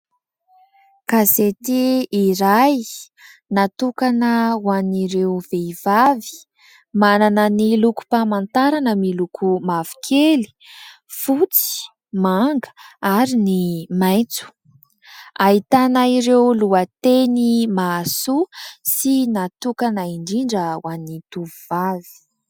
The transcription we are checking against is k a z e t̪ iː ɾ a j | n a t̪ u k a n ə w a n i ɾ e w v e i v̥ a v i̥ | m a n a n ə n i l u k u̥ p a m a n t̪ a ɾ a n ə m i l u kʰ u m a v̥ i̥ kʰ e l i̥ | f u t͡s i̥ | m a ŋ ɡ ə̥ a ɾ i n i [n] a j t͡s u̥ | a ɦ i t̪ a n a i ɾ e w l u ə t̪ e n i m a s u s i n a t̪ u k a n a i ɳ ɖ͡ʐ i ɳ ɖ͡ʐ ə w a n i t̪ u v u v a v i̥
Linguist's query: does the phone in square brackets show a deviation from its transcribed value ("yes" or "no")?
yes